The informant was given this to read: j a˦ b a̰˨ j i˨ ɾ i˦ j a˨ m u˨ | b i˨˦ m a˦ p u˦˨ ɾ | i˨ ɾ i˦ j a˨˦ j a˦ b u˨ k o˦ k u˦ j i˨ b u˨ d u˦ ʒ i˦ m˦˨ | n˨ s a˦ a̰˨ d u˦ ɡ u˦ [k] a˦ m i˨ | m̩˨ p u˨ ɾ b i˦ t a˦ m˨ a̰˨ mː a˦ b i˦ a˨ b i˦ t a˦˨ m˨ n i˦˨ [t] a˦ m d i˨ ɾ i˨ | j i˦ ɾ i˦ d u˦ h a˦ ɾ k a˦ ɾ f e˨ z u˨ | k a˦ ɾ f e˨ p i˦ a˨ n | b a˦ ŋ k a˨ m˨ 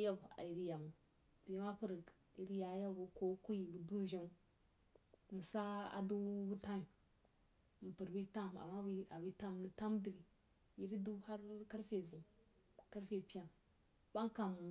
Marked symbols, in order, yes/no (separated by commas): no, yes